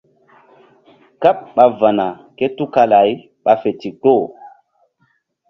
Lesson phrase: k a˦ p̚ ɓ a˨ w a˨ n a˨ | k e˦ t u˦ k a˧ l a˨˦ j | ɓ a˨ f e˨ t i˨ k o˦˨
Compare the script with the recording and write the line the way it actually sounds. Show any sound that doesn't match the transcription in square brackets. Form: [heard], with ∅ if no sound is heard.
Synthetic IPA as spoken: k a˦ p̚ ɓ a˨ [v] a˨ n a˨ | k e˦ t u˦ k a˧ l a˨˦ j | ɓ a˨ f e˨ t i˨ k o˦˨